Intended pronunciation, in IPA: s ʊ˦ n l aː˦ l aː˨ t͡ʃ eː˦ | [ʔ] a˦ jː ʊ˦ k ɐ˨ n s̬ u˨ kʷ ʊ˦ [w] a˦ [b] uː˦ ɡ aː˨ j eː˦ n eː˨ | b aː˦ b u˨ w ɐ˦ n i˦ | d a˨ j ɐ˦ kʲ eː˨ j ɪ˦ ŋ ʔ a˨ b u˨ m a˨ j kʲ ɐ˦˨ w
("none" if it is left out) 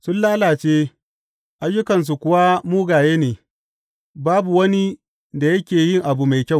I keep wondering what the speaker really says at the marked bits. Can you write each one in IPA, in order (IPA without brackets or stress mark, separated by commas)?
ʔ, w, m